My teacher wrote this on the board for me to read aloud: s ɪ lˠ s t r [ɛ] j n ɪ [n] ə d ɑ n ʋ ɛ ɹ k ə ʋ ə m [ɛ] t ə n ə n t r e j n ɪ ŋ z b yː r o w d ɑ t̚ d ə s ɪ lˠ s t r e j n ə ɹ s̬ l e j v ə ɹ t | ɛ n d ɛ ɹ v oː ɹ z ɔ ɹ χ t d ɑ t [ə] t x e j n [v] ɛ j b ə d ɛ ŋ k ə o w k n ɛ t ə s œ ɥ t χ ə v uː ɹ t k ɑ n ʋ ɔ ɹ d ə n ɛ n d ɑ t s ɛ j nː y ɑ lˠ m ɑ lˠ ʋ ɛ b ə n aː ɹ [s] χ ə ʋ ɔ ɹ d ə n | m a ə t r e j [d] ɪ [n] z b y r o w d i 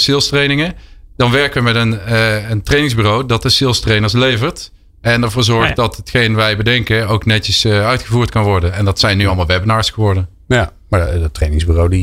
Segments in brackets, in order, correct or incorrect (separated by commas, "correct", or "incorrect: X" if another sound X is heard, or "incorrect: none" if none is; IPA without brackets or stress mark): incorrect: e, incorrect: ŋ, correct, correct, incorrect: ʋ, correct, incorrect: n, incorrect: ŋ